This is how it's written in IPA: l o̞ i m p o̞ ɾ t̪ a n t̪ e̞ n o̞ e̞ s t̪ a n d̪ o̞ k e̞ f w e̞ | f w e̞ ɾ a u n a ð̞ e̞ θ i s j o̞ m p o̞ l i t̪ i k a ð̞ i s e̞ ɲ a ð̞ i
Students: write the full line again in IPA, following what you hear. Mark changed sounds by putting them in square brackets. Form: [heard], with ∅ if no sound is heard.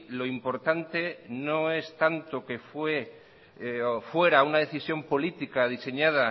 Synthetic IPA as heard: l o̞ i m p o̞ ɾ t̪ a n t̪ e̞ n o̞ e̞ s t̪ a n [t̪] o̞ k e̞ f w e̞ | f w e̞ ɾ a u n a ð̞ e̞ θ i s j o̞ m p o̞ l i t̪ i k a ð̞ i s e̞ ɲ a ð̞ [a]